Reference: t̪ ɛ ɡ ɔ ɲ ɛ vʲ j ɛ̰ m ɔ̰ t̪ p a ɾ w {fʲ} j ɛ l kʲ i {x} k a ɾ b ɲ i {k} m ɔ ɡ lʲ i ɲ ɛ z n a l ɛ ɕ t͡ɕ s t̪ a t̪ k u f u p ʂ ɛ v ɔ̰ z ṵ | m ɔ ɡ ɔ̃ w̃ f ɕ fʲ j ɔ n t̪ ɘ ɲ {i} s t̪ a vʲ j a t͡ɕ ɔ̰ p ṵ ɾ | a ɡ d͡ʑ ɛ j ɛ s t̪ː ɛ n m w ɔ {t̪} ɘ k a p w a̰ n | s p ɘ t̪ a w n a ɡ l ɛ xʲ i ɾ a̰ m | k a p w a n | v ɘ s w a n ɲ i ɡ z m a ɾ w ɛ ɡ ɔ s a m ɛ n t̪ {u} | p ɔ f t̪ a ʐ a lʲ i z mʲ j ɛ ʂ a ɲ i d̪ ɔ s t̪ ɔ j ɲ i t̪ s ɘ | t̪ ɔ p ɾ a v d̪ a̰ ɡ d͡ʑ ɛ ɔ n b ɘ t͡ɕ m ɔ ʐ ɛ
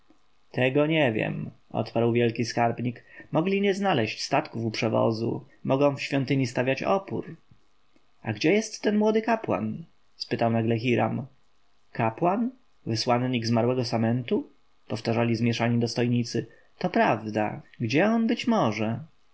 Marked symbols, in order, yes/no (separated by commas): no, no, yes, yes, no, yes